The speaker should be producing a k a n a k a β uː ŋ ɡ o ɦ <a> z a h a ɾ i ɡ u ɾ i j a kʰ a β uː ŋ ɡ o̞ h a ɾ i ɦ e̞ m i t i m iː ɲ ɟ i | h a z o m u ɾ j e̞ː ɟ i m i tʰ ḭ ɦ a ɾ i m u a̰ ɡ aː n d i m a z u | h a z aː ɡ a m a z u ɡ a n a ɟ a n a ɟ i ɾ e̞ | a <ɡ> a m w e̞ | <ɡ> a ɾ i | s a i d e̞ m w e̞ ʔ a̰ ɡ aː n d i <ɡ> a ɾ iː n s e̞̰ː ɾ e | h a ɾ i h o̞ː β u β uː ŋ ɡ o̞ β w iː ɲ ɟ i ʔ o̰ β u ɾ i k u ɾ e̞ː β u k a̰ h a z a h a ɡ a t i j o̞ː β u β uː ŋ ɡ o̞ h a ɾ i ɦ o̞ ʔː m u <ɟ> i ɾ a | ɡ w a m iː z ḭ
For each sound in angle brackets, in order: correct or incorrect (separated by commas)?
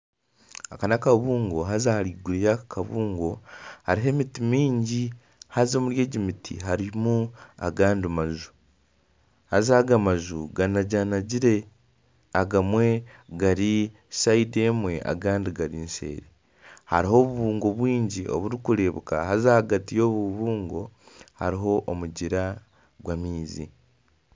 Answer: correct, correct, correct, correct, correct